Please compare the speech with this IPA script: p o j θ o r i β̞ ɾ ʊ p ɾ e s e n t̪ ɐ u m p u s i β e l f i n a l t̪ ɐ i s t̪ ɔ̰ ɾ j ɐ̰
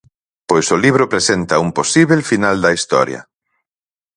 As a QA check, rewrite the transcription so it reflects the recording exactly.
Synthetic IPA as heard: p o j s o l i β̞ ɾ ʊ p ɾ e s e n t̪ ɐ u m p o s i β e l f i n a l d̪ ɐ i s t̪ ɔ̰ ɾ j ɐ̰